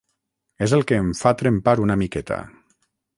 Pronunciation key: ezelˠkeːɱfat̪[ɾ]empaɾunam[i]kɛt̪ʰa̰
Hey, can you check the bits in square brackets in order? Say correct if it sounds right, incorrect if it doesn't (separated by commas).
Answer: correct, correct